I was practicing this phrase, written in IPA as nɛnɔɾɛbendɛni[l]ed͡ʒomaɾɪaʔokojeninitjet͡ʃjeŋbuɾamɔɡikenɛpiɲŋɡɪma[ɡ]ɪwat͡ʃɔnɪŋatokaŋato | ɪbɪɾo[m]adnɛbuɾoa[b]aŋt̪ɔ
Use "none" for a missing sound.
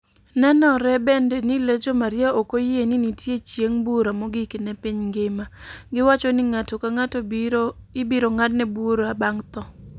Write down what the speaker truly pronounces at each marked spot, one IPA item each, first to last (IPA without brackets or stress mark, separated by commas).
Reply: l, ɡ, ŋ, b